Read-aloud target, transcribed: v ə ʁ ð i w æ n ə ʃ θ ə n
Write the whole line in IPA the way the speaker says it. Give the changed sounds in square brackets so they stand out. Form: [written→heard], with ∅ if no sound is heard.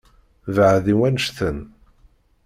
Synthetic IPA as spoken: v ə [ʁ→ʕ] ð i w æ n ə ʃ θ ə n